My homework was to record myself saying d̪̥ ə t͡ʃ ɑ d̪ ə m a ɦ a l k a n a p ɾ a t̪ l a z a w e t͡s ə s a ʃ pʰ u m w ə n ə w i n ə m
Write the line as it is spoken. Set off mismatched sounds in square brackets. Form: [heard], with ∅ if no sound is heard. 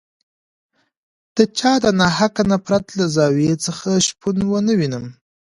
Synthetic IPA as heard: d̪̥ ə t͡ʃ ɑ d̪ ə [n] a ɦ a [∅] k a n a p ɾ a t̪ l a z [ɑ] w e t͡s ə [x] a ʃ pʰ u [n] w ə n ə w i n ə m